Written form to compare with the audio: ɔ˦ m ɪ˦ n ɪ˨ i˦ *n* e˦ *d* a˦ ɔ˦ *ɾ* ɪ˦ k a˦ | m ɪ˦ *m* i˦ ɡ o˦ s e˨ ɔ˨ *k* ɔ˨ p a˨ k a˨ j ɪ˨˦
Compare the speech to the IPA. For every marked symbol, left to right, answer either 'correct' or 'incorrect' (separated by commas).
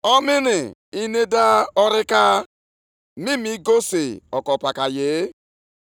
correct, correct, correct, correct, correct